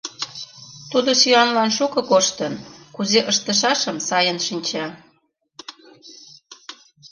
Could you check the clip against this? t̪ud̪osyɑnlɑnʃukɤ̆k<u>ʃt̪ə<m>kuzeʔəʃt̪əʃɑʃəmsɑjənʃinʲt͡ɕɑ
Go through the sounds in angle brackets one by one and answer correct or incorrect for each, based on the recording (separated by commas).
incorrect, incorrect